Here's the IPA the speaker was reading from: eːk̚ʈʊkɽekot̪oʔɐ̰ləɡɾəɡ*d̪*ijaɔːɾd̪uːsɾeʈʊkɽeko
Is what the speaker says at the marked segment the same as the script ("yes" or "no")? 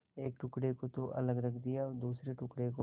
yes